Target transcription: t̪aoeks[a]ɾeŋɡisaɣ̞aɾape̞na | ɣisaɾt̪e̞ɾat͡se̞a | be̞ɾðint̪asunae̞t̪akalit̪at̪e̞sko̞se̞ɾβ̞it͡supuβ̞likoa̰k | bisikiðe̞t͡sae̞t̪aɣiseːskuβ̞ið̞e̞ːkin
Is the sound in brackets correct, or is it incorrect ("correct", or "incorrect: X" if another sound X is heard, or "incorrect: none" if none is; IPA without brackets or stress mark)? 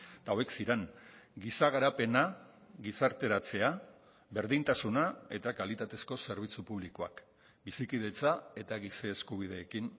incorrect: i